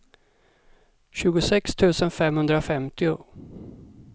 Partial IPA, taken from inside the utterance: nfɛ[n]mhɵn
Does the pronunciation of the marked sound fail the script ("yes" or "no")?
yes